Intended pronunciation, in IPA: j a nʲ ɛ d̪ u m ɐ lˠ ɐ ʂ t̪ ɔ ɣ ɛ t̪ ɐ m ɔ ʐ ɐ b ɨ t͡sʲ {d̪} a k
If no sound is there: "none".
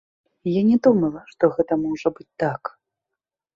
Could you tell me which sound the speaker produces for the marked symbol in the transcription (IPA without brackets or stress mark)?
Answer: t̪